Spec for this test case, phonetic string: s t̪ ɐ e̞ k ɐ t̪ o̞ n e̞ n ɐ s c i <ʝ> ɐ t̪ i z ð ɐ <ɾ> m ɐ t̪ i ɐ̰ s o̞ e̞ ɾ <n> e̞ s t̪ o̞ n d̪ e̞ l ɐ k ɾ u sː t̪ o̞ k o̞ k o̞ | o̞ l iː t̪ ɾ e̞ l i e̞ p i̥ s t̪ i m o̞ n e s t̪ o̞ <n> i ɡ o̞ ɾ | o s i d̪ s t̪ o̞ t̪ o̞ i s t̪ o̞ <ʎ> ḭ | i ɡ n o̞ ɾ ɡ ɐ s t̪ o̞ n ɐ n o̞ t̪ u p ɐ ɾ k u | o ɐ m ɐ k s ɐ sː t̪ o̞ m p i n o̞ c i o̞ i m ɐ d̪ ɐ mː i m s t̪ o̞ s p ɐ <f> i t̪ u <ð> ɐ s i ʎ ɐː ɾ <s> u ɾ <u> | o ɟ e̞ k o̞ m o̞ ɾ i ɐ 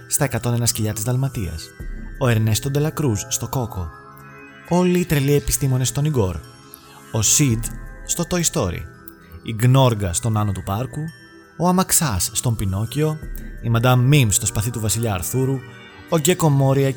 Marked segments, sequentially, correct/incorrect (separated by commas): incorrect, incorrect, correct, correct, incorrect, incorrect, incorrect, incorrect, correct